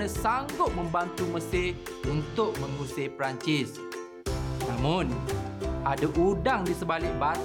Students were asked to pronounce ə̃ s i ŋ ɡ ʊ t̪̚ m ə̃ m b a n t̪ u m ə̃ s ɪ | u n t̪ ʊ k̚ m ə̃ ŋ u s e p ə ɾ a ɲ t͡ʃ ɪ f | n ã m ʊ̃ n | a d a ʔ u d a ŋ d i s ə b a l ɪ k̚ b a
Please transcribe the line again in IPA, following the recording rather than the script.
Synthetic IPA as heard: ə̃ s a ŋ ɡ ʊ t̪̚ m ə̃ m b a n t̪ u m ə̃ s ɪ | u n t̪ ʊ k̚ m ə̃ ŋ u s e p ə ɾ a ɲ t͡ʃ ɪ s | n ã m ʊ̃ n | a d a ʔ u d a ŋ d i s ə b a l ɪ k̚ b a